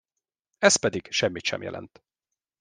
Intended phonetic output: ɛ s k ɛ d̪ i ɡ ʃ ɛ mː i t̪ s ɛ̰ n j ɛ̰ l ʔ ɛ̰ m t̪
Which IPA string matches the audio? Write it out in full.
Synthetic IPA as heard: ɛ s p ɛ d̪ i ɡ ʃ ɛ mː i t̪ ʃ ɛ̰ m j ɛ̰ l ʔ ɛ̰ n t̪

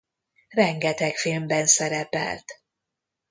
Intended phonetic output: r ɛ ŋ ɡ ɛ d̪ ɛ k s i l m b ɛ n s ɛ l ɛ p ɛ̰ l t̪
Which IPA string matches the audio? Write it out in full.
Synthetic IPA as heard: r ɛ ŋ ɡ ɛ t̪ ɛ k f i l m b ɛ n s ɛ ɾ ɛ p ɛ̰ l t̪

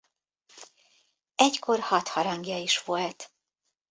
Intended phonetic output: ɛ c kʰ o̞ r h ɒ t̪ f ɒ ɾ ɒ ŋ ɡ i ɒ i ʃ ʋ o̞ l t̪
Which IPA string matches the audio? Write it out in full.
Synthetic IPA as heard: ɛ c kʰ o̞ r h ɒ t̪ h ɒ ɾ ɒ ŋ ɡ j ɒ i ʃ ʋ o̞ l t̪

